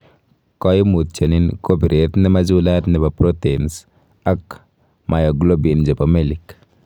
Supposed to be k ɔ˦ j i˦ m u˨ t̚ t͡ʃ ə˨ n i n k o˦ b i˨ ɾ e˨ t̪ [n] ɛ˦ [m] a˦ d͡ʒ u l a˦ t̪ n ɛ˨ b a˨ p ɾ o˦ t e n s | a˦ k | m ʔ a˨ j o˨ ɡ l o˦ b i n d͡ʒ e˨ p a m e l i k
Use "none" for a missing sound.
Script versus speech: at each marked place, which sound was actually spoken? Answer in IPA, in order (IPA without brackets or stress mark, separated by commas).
n, m